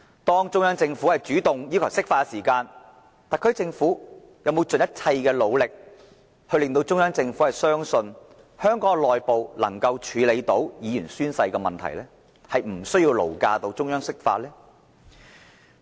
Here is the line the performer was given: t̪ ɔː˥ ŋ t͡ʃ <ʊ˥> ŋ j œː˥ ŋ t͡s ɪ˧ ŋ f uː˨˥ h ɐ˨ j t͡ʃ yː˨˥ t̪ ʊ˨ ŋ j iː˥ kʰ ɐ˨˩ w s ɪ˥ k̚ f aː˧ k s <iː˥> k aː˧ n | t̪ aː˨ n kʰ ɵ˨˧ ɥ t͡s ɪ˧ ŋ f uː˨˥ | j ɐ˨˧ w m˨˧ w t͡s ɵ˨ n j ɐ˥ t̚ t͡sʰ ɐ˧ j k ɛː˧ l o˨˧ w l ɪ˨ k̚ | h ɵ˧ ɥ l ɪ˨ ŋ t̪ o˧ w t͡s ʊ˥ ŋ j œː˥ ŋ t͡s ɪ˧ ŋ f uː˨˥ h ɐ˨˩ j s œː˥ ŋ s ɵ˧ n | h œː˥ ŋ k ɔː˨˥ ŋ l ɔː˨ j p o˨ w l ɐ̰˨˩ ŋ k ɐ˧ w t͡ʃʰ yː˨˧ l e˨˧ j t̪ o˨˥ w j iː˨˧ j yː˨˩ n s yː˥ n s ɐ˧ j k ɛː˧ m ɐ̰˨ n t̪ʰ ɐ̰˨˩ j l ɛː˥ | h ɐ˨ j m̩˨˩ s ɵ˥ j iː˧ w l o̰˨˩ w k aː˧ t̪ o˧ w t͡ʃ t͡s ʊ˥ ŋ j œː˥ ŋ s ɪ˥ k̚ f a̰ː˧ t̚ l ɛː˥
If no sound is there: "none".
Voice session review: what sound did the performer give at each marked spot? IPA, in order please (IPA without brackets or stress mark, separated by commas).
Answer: ʊ˥, iː˨˩